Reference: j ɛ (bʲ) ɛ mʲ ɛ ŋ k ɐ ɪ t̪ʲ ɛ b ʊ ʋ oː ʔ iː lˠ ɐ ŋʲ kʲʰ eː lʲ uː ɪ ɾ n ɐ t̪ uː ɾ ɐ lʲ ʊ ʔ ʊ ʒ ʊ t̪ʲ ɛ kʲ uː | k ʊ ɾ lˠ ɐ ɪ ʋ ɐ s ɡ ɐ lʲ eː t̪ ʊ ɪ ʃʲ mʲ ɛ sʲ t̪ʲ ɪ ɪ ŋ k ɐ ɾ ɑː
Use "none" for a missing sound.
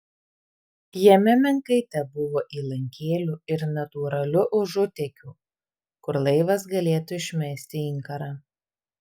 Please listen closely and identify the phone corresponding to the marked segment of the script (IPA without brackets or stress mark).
mʲ